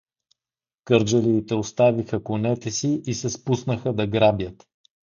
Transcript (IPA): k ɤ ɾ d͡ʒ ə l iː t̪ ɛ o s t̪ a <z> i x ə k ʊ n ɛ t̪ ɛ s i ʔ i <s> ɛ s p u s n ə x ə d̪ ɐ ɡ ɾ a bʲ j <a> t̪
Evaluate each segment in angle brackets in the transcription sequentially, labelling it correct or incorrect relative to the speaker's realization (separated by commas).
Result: incorrect, correct, incorrect